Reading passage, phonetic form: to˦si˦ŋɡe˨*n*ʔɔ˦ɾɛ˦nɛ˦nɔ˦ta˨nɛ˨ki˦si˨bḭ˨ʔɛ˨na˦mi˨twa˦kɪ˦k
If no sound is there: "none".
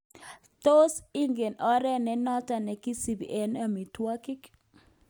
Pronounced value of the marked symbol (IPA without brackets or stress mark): n